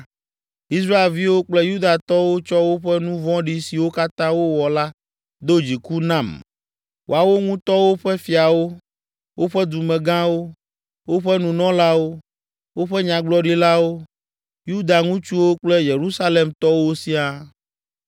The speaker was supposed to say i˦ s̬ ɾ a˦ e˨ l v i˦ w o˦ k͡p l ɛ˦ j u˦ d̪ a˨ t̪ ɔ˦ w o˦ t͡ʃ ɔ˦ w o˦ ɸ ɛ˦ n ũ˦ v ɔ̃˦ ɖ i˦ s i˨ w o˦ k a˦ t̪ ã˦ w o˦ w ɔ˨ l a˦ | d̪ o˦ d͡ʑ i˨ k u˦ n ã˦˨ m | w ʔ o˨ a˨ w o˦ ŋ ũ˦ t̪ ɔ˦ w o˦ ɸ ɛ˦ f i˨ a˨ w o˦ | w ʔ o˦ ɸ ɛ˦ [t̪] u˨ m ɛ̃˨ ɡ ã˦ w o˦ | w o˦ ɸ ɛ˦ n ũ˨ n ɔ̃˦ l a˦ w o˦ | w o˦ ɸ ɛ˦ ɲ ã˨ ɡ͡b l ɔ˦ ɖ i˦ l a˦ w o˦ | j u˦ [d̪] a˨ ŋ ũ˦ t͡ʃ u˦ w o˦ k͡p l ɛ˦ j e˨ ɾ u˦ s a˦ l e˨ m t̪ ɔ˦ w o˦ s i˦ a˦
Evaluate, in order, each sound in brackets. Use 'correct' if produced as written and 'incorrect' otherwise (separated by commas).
incorrect, correct